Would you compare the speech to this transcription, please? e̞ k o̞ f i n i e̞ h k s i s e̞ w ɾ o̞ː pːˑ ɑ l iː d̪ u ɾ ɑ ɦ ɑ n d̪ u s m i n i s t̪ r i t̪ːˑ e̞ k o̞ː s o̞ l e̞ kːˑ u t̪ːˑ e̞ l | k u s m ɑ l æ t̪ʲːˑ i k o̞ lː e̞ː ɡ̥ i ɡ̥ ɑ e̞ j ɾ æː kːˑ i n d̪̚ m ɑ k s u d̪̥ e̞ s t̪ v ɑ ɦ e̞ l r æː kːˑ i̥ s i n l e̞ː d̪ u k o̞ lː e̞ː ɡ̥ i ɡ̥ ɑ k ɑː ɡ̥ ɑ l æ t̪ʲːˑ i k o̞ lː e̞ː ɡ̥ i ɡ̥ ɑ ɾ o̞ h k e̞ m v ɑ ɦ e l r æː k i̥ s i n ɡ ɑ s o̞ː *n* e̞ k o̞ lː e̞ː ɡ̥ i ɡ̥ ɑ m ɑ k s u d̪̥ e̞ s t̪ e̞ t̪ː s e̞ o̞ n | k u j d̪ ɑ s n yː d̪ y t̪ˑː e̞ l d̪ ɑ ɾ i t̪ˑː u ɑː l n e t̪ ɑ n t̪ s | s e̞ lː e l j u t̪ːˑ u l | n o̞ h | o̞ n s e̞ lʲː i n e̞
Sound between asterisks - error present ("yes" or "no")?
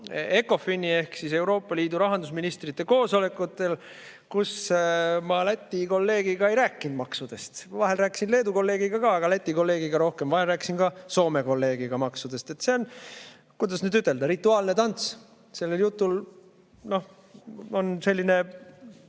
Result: yes